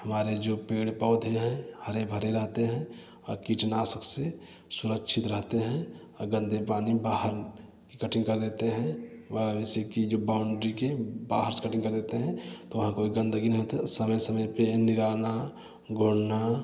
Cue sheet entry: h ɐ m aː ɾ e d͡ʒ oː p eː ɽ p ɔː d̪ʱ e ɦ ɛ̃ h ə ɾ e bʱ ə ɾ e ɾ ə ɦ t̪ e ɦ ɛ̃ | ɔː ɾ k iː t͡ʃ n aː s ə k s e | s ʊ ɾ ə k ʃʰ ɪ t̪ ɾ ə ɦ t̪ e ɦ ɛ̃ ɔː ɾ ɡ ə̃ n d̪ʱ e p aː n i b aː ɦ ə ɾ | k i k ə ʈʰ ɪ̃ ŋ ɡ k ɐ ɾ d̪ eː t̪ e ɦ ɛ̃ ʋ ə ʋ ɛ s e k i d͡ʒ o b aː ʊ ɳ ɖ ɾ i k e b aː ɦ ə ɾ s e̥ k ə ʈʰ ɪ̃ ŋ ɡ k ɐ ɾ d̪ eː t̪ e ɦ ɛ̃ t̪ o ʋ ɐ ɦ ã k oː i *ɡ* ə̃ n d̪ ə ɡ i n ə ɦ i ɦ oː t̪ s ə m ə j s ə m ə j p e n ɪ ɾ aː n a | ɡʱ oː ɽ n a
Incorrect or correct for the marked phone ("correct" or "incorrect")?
correct